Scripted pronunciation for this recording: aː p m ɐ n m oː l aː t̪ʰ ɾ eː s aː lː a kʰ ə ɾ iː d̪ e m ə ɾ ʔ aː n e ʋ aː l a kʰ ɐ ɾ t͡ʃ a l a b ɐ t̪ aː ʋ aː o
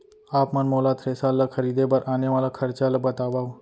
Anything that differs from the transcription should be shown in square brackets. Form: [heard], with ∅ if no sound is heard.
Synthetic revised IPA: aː p m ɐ n m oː l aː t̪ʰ ɾ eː s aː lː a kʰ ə ɾ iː d̪ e [b] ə ɾ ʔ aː n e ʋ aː l a kʰ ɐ ɾ t͡ʃ a l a b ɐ t̪ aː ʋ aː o